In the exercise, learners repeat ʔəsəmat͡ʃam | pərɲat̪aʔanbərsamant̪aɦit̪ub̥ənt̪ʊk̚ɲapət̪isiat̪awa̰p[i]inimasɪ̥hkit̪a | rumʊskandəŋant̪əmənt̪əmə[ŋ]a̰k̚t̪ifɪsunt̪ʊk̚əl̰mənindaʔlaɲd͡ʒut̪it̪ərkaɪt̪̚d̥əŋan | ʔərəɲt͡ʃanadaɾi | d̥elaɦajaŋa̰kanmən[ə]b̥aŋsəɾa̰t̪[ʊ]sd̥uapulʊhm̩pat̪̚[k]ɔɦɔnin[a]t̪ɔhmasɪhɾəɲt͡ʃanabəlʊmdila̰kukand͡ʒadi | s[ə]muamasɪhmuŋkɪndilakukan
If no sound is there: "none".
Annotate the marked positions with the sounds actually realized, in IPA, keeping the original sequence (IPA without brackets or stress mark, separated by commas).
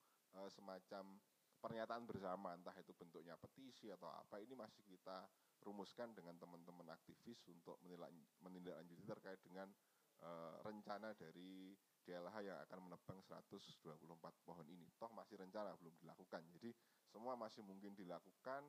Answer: a, n, ə, ʊ, p, i, ə